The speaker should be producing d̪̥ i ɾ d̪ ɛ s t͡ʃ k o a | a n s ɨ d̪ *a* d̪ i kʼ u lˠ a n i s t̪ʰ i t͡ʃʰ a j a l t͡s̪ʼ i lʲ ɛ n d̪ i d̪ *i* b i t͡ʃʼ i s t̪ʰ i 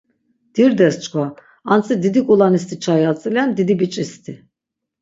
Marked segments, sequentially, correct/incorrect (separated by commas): incorrect, correct